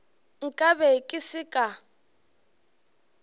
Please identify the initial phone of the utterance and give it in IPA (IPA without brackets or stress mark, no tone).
ŋ̩